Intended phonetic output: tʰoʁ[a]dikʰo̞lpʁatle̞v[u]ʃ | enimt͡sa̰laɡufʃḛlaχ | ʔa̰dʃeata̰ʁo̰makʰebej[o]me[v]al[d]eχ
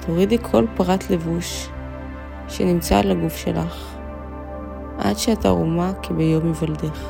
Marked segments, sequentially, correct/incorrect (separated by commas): incorrect, correct, correct, correct, correct